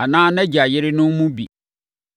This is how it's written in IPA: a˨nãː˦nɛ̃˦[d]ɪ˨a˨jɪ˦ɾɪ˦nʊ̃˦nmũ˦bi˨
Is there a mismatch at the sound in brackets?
yes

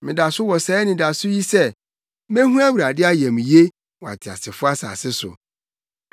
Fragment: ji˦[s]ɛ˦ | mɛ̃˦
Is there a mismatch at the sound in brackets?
no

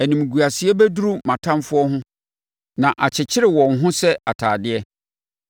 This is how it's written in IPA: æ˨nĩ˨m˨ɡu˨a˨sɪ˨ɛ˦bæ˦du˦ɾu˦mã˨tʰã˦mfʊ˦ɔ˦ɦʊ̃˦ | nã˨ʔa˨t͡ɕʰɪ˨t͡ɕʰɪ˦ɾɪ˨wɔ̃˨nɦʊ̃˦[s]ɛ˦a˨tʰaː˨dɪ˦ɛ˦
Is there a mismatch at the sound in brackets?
no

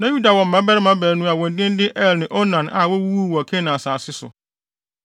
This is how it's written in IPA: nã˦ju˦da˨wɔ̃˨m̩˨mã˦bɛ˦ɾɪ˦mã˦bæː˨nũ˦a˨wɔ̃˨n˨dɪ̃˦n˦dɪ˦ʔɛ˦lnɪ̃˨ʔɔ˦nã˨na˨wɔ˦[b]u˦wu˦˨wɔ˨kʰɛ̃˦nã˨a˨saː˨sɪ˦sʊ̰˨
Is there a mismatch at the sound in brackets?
yes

